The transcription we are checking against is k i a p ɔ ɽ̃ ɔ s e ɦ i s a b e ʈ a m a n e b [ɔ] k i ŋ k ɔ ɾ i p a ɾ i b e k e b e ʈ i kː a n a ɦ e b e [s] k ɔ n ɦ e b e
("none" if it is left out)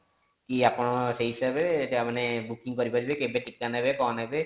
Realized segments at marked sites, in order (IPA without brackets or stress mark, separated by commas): u, none